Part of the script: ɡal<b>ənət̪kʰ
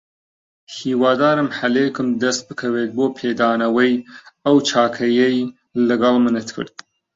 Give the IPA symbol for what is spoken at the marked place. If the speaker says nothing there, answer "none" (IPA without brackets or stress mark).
m